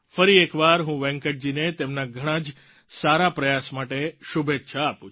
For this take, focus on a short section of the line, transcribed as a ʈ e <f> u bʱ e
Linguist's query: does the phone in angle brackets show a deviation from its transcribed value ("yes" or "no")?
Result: yes